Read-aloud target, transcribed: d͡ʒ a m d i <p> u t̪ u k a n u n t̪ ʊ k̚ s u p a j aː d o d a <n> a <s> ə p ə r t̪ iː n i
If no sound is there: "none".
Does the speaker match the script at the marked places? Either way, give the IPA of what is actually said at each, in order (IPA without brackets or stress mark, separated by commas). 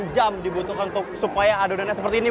b, n, s